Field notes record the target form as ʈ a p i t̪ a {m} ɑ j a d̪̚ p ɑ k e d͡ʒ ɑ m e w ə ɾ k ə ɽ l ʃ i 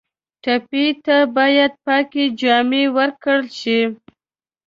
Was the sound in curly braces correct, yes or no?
no